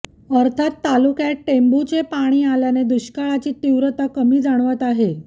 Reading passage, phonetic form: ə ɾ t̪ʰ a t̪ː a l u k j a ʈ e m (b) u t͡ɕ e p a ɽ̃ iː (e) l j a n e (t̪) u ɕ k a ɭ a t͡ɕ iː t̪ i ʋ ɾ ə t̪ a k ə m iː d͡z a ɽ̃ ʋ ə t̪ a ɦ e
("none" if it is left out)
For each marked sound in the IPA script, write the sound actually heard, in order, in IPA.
b, a, d̪

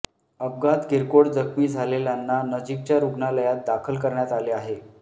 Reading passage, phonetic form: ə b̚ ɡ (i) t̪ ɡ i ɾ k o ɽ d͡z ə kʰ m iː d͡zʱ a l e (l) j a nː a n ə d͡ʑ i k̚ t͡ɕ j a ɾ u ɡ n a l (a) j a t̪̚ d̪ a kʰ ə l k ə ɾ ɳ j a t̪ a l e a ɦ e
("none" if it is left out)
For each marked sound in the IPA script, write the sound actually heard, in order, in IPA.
a, l, ə

